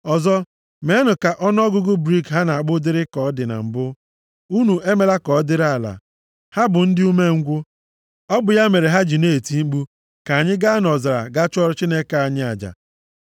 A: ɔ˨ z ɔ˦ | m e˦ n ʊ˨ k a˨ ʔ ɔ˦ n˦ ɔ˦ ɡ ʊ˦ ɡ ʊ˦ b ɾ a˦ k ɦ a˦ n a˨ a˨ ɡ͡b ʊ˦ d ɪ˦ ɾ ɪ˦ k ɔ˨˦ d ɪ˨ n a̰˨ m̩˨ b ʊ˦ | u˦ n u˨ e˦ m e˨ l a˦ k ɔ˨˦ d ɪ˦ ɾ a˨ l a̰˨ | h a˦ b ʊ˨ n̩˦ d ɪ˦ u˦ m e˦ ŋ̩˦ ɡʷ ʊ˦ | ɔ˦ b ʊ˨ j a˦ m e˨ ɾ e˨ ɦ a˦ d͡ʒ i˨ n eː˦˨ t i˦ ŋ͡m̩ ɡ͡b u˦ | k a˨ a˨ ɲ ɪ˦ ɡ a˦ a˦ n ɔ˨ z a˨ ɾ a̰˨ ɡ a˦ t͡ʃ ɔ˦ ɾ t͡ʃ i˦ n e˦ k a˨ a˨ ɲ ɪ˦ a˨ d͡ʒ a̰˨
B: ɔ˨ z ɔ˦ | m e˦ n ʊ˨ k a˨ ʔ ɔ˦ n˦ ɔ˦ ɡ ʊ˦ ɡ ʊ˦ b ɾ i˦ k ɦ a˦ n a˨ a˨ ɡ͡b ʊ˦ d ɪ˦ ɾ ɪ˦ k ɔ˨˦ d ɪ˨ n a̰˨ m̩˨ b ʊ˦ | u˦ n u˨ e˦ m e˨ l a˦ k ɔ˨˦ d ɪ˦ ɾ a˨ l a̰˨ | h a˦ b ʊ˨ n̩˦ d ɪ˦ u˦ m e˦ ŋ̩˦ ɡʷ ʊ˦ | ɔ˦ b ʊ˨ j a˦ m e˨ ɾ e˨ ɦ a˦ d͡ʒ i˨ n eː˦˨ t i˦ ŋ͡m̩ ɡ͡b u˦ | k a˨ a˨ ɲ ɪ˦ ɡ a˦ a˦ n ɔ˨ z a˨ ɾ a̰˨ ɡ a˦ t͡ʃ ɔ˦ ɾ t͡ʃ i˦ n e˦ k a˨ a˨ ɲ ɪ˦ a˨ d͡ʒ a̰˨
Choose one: B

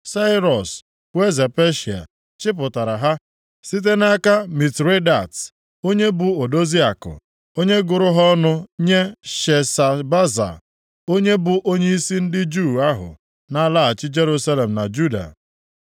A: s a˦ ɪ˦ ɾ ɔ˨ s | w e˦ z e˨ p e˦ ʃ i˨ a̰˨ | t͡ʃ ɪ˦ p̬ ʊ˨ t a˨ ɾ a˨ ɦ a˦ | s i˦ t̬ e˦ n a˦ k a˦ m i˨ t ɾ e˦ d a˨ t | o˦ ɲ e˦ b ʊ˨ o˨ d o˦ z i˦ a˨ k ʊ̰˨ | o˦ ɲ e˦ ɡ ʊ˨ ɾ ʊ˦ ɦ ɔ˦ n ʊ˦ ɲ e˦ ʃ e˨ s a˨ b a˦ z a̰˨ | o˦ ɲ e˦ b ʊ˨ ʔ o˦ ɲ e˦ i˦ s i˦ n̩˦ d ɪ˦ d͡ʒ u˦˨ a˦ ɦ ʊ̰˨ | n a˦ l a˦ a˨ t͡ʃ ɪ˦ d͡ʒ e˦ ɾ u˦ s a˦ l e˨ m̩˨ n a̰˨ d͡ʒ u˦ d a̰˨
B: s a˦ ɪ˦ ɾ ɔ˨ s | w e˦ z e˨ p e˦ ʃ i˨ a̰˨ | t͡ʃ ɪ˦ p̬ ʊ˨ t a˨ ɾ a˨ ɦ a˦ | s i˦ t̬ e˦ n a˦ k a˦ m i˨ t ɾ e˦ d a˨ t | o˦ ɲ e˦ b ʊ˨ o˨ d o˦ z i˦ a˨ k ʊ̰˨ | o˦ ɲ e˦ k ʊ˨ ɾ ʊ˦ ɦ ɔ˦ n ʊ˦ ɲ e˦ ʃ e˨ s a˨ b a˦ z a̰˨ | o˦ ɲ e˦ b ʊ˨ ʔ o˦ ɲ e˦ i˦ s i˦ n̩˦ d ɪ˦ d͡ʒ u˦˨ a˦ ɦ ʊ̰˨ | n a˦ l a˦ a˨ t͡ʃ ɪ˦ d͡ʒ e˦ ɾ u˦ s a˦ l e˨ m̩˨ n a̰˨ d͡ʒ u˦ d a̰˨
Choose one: A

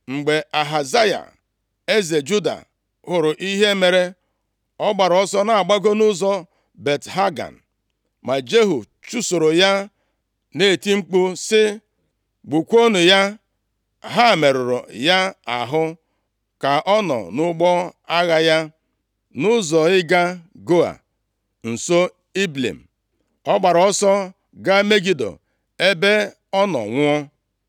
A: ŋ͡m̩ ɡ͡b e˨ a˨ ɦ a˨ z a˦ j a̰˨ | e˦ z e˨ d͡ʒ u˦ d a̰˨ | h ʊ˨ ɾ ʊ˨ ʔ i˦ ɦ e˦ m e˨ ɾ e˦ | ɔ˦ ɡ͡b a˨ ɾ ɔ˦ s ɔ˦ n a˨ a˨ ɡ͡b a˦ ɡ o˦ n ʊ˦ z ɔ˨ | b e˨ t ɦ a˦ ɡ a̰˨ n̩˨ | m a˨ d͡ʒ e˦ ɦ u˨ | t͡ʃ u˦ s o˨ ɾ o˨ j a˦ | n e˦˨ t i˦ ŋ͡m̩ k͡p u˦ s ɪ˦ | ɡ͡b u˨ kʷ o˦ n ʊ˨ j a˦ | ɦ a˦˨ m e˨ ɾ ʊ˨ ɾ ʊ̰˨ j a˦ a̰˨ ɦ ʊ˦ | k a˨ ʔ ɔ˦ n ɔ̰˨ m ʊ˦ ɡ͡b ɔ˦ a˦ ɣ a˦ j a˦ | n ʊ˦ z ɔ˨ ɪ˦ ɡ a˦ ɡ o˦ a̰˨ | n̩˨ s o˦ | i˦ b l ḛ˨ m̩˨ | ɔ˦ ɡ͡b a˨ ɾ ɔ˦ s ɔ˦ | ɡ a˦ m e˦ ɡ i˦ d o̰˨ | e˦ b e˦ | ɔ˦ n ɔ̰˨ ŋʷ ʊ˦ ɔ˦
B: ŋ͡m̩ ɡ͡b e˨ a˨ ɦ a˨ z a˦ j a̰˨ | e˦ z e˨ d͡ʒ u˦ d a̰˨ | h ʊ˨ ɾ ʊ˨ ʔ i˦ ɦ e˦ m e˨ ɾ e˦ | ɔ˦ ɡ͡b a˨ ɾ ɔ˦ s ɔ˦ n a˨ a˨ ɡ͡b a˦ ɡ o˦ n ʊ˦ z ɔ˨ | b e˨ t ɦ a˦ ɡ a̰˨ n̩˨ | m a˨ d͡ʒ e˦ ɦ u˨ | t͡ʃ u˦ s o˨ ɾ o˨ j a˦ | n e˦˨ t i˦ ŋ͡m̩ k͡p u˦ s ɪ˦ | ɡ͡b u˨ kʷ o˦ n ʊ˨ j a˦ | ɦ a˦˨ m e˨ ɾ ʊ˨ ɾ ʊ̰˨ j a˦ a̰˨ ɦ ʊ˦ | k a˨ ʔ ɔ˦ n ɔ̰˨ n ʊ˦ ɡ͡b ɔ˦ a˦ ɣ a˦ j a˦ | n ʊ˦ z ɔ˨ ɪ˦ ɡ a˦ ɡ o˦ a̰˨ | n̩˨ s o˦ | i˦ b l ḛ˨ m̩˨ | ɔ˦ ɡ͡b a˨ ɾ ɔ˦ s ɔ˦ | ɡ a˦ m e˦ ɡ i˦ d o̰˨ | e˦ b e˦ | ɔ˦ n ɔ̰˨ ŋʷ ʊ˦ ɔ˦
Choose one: B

